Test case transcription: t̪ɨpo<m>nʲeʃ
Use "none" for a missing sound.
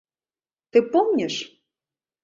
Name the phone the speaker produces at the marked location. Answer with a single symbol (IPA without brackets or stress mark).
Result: m